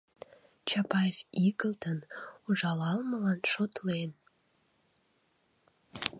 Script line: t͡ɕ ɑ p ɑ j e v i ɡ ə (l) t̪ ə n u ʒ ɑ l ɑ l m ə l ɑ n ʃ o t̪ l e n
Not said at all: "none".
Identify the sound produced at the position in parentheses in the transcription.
l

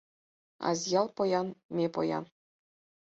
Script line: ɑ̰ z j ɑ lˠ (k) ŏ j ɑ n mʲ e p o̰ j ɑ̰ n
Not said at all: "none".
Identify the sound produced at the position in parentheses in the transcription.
p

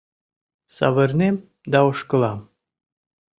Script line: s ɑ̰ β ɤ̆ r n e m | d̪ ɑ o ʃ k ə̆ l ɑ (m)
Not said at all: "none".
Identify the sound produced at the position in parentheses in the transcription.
m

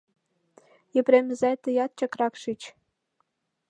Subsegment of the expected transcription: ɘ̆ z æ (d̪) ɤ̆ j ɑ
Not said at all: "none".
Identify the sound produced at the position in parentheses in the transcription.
t̪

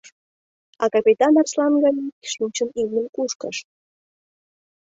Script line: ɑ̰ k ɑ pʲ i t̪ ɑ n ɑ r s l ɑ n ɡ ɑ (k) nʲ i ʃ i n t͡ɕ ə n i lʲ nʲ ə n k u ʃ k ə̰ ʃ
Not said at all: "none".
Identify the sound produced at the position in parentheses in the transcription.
none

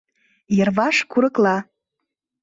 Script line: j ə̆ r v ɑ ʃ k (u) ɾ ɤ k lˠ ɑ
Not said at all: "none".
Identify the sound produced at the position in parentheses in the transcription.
u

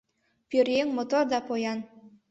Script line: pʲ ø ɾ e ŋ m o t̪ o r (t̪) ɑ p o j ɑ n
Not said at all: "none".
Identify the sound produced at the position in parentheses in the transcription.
d̪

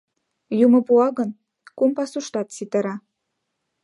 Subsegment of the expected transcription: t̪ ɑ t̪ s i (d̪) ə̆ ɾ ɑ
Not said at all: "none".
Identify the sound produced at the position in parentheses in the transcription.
t̪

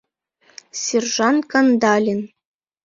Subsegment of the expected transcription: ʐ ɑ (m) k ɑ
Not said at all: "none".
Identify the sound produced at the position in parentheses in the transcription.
n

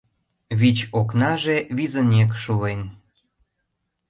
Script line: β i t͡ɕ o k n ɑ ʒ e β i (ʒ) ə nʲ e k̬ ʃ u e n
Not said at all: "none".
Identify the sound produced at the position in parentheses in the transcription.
z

